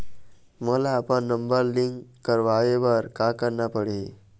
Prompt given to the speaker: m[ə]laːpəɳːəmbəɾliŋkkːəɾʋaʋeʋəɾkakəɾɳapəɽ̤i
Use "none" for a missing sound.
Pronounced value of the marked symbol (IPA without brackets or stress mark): ə